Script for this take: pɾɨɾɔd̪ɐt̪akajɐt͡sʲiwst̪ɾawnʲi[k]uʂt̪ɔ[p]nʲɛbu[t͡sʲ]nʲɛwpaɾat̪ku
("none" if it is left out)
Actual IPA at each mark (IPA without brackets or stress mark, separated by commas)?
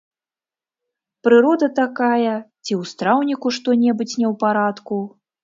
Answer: k, none, t͡sʲ